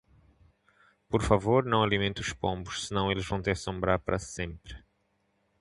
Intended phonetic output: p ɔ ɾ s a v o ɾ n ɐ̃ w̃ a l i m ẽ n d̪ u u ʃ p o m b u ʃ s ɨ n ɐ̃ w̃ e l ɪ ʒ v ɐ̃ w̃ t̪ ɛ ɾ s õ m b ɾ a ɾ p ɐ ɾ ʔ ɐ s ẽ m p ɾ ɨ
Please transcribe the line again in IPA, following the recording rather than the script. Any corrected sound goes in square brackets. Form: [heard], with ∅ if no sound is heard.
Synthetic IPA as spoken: p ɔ ɾ [f] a v o ɾ n ɐ̃ w̃ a l i m ẽ n [t̪] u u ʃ p [õ] m b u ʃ s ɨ n ɐ̃ w̃ e l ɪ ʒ v ɐ̃ w̃ t̪ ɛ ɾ s õ m b ɾ a ɾ p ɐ ɾ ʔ ɐ s ẽ m p ɾ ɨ